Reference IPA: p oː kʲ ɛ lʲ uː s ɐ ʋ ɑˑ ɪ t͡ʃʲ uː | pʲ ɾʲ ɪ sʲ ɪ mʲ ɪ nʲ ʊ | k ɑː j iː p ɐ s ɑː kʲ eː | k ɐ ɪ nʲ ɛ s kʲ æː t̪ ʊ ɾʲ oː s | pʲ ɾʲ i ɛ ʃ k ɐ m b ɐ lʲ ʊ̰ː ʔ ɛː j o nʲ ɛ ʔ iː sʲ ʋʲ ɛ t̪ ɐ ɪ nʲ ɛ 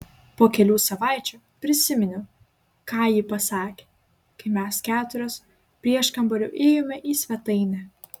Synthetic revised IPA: p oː kʲ ɛ lʲ uː s ɐ ʋ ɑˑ ɪ t͡ʃʲ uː | pʲ ɾʲ ɪ sʲ ɪ mʲ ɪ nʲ ʊ | k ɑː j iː p ɐ s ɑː kʲ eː | k ɐ ɪ mʲ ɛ s kʲ æː t̪ ʊ ɾʲ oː s | pʲ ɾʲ i ɛ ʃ k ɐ m b ɐ lʲ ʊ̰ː ʔ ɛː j o mʲ ɛ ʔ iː sʲ ʋʲ ɛ t̪ ɐ ɪ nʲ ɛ